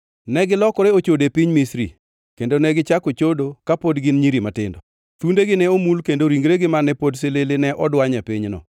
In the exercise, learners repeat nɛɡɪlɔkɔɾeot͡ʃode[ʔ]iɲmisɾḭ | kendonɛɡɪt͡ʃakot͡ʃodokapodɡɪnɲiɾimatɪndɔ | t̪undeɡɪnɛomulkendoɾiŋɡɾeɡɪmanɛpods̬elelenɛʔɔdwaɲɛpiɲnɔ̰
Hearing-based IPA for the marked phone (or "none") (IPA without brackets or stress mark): p